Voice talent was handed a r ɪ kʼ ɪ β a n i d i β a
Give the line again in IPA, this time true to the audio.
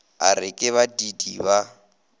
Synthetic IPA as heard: a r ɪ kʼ ɪ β a d i d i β a